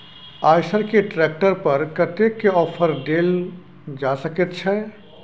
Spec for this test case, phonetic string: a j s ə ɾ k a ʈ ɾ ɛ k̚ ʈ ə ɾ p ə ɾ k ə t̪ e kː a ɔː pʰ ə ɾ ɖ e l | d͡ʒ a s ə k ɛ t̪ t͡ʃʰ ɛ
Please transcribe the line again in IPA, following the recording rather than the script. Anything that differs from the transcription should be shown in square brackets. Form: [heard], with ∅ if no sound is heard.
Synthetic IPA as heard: a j s ə ɾ k [e] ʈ ɾ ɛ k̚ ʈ ə ɾ p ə ɾ k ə t̪ e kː [e] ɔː pʰ ə ɾ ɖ e l | d͡ʒ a s ə k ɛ t̪ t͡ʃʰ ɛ